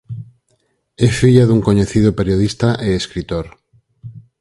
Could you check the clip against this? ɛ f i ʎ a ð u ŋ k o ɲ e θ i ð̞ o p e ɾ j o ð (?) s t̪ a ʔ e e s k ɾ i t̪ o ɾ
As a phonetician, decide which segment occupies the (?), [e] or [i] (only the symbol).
i